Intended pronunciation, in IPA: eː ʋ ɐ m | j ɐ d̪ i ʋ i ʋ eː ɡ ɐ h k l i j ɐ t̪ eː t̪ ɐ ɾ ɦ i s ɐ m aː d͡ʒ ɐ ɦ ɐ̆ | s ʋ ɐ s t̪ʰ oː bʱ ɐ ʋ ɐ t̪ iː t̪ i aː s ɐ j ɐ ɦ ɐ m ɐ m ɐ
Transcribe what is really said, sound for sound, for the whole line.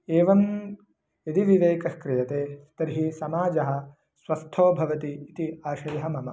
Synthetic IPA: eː ʋ ɐ m | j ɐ d̪ i ʋ i ʋ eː k ɐ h k ɾ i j ɐ t̪ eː t̪ ɐ ɾ ɦ i s ɐ m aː d͡ʒ ɐ ɦ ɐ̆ | s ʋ ɐ s t̪ʰ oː bʱ ɐ ʋ ɐ t̪ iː t̪ i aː ʃ ɐ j ɐ ɦ ɐ m ɐ m ɐ